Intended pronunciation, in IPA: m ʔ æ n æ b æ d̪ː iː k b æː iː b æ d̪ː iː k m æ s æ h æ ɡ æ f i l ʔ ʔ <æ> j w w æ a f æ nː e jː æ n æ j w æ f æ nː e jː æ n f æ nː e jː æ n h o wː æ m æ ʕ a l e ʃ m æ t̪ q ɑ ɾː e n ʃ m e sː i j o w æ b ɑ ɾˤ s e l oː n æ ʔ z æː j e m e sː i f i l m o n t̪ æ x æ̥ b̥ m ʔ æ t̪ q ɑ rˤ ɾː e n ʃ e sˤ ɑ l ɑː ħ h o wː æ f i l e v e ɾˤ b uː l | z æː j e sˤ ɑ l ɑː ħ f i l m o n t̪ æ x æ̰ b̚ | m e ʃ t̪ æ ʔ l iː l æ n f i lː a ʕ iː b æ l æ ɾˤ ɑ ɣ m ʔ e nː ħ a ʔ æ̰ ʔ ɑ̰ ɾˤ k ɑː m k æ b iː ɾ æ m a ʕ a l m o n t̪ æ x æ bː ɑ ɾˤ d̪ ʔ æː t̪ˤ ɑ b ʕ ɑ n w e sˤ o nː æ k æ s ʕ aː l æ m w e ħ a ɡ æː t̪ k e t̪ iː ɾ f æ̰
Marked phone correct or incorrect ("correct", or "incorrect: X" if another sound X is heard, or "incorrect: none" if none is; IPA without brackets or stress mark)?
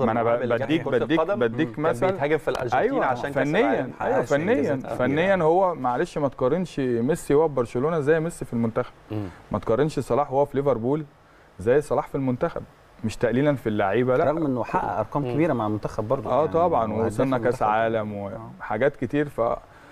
correct